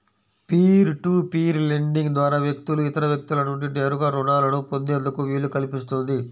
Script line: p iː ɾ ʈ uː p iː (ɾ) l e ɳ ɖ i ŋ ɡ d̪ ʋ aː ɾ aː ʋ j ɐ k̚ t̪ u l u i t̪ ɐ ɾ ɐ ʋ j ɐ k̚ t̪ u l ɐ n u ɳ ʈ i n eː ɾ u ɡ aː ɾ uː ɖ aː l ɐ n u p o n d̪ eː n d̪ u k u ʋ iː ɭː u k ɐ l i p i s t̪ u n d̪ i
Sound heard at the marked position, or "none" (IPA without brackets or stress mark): ɾ